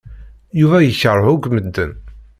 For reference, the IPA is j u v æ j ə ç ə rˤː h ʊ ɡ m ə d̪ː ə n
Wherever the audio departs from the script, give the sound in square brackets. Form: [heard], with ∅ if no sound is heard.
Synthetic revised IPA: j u v æ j ə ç ə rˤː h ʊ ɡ m ə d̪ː ə n